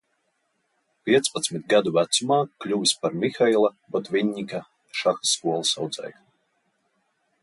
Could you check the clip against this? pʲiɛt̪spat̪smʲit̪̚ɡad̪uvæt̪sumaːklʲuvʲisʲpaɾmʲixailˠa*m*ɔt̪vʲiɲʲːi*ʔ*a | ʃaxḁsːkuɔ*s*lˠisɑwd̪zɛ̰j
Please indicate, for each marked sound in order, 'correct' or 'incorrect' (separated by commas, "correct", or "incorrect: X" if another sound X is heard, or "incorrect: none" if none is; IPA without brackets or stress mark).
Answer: incorrect: b, incorrect: k, incorrect: none